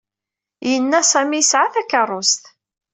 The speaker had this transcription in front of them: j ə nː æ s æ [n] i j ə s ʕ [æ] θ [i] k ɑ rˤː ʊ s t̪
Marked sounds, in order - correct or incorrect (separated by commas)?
incorrect, incorrect, incorrect